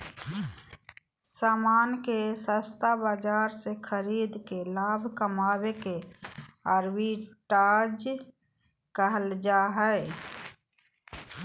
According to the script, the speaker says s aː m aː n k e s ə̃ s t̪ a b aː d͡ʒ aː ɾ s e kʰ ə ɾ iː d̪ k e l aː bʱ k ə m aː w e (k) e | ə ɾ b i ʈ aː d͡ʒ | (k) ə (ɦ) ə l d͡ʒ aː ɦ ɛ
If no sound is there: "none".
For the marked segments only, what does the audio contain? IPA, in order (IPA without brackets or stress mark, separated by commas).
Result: k, k, ɦ